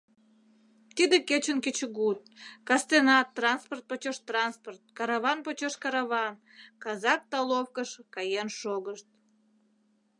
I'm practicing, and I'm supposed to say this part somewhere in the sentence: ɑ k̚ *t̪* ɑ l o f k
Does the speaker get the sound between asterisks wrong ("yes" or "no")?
no